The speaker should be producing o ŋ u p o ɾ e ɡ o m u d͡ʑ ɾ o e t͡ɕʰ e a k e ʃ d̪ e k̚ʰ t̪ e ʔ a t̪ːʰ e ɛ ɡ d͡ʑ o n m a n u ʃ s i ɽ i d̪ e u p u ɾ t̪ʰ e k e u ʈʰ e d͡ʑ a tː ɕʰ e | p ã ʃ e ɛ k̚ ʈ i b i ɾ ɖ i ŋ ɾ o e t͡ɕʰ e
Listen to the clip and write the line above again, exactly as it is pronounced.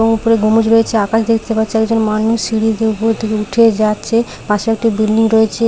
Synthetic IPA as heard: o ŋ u p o ɾ e ɡ o m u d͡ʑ ɾ o e t͡ɕʰ e a k a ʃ d̪ e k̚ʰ t̪ e p a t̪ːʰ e ɛ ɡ d͡ʑ o n m a n u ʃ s i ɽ i d̪ e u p o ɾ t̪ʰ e k e u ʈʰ e d͡ʑ a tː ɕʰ e | p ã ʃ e ɛ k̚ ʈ i b i l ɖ i ŋ ɾ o e t͡ɕʰ e